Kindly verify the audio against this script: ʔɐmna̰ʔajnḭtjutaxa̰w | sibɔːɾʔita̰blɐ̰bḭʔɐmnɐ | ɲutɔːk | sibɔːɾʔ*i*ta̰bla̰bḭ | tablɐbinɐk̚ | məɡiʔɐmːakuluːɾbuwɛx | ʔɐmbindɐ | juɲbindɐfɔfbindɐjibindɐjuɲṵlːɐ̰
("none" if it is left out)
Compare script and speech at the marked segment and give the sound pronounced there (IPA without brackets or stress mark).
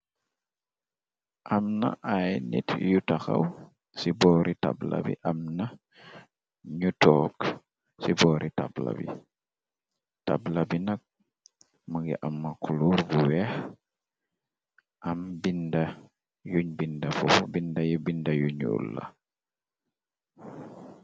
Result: i